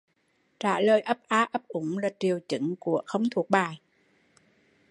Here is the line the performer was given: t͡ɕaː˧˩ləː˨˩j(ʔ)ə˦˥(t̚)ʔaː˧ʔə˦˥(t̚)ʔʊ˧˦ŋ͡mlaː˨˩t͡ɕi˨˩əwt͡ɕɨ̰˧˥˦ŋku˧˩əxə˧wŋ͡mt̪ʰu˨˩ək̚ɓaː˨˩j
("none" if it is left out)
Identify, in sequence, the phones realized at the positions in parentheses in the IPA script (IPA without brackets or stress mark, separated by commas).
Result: ʔ, p̚, p̚